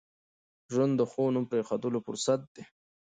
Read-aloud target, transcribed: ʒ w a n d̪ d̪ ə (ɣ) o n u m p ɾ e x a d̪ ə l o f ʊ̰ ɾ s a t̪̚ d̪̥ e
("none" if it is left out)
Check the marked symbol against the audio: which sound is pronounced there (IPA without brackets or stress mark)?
x